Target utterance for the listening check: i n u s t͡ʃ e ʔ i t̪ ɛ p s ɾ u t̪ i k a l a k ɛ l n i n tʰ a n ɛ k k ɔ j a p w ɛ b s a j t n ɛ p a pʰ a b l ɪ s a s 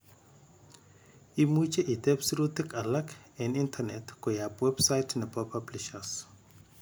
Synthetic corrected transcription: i m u t͡ʃ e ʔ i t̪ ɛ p s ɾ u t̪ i k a l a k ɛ n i n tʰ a n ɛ t k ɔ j a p w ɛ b s a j t n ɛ p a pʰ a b l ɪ ʃ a s